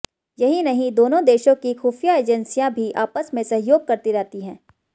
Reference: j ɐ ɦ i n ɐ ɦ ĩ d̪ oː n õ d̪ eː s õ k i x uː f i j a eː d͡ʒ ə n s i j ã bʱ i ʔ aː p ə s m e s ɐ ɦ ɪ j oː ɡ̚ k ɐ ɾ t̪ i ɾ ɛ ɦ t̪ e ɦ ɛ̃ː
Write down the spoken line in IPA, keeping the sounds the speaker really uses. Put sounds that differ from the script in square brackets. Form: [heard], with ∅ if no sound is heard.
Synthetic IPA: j ɐ ɦ i n ɐ ɦ ĩ d̪ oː n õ d̪ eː [ʃ] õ k i x uː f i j a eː d͡ʒ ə n s i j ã bʱ i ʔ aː p ə s m [ẽ] s ɐ ɦ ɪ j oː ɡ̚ k ɐ ɾ t̪ i ɾ ɛ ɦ t̪ [i] ɦ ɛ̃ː

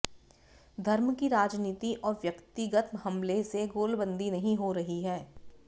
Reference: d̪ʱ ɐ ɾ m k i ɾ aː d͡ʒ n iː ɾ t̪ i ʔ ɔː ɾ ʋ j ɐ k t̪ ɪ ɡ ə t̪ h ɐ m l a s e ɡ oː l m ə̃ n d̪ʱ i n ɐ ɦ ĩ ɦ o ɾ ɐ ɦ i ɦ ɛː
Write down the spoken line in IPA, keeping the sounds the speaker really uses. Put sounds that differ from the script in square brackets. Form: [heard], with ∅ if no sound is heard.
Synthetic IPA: d̪ʱ ɐ ɾ m k i ɾ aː d͡ʒ n iː [∅] t̪ i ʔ ɔː ɾ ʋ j ɐ k t̪ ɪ ɡ ə t̪ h ɐ m l [e] s e ɡ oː l [b] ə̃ n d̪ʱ i n ɐ ɦ ĩ ɦ o ɾ ɐ ɦ i ɦ ɛː

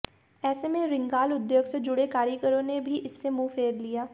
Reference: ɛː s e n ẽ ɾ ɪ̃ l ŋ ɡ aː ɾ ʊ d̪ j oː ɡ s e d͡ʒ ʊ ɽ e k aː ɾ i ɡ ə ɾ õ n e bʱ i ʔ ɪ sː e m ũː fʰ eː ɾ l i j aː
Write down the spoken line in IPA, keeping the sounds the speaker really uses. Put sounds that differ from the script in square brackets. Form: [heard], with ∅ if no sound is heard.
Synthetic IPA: ɛː s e [m] ẽ ɾ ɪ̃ [∅] ŋ ɡ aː [l] ʊ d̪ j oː ɡ s e d͡ʒ ʊ ɽ e k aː ɾ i [k] ə ɾ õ n e bʱ i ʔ ɪ sː e m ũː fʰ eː ɾ l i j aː

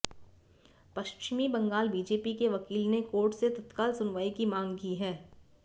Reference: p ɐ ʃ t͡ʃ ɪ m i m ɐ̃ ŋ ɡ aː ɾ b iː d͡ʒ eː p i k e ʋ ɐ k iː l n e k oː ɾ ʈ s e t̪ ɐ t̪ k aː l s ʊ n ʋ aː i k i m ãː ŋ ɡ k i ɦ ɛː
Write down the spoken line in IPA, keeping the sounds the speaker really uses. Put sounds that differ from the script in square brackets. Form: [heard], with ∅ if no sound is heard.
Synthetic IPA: p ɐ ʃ t͡ʃ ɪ m i [b] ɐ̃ ŋ ɡ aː [l] b iː d͡ʒ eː p i k e ʋ ɐ k iː l n e k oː ɾ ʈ s e t̪ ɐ t̪ k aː l s ʊ n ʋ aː i k i m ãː ŋ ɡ k i ɦ ɛː

